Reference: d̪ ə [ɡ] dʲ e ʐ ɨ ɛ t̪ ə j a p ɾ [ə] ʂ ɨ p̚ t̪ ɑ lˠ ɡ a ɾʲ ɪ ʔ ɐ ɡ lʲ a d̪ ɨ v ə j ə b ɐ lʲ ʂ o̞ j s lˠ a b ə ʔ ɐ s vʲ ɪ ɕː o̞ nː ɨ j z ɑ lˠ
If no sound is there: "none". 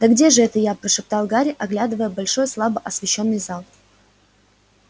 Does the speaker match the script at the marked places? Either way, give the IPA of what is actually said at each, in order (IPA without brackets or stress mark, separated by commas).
ɡ, ə